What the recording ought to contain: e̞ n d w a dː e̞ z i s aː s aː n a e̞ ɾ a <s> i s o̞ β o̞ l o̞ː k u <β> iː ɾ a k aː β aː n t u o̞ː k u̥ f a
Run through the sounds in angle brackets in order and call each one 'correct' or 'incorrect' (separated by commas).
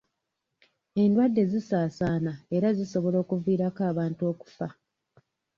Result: incorrect, incorrect